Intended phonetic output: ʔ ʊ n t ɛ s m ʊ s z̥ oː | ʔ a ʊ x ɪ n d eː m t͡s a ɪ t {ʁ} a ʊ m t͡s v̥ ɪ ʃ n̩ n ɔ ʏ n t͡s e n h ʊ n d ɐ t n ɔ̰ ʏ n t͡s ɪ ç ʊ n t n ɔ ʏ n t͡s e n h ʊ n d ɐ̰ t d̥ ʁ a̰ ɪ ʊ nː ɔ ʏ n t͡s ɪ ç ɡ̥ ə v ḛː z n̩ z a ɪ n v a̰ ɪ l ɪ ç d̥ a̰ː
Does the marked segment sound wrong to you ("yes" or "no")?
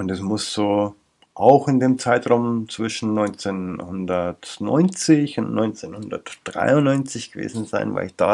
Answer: no